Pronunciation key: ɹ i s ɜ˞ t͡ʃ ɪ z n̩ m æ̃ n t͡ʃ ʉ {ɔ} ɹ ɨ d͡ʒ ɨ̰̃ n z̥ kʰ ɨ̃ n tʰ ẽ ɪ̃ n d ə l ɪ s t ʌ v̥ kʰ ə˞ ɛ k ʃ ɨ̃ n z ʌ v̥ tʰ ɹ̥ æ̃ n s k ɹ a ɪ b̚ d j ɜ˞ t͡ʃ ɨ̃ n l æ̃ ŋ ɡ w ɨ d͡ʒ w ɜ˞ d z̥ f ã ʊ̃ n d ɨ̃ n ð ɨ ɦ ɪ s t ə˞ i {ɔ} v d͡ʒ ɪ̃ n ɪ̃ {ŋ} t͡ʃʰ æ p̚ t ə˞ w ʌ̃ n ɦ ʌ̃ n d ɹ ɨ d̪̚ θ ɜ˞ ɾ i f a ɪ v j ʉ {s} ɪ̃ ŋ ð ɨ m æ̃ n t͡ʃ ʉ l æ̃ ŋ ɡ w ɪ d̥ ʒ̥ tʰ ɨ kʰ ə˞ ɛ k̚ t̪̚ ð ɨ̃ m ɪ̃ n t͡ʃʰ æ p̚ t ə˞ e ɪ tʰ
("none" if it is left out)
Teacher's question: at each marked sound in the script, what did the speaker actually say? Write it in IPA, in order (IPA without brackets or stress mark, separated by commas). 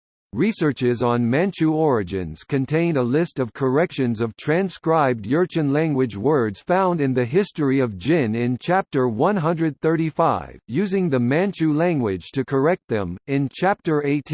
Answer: ɔ, ʌ, n, z